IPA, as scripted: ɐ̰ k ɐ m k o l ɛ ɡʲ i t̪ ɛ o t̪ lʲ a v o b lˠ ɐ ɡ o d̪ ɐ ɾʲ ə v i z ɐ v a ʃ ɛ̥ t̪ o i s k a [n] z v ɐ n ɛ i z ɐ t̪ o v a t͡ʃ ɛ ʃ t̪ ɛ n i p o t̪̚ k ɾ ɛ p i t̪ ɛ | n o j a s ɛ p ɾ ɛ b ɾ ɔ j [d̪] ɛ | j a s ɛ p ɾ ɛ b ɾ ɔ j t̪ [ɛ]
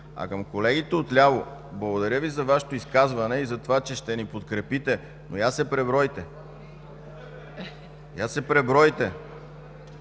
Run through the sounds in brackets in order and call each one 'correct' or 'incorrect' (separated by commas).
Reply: incorrect, incorrect, correct